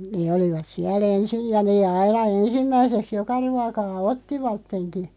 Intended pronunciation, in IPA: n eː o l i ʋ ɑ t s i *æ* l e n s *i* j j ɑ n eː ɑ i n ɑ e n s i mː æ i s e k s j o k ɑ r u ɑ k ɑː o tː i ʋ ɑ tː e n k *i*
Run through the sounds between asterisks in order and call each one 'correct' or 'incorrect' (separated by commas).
correct, correct, correct